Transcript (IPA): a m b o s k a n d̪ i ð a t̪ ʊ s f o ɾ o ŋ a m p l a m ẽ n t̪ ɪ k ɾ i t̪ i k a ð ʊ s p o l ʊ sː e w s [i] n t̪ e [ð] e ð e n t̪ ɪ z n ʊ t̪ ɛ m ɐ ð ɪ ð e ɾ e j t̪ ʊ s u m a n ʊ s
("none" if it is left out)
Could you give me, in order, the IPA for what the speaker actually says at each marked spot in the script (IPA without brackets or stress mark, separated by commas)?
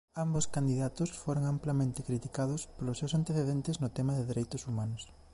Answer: a, θ